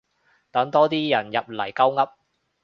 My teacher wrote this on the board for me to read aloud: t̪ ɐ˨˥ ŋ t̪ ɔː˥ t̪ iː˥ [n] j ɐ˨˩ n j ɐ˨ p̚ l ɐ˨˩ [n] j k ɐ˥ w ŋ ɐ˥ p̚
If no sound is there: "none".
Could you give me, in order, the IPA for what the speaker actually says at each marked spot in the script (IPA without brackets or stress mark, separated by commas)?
none, none